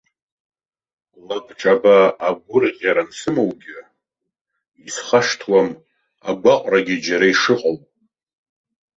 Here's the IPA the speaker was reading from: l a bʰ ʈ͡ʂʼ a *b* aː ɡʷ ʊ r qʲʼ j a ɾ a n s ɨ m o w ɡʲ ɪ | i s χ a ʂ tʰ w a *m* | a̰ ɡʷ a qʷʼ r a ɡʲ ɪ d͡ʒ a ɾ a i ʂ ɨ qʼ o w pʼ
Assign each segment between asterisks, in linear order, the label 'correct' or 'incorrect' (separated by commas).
correct, correct